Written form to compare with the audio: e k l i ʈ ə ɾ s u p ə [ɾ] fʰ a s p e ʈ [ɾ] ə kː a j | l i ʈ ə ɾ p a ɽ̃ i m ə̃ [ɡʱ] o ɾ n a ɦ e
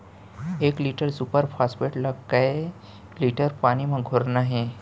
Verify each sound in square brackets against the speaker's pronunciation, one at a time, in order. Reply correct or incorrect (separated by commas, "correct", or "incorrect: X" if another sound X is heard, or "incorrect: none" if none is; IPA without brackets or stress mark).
correct, incorrect: l, correct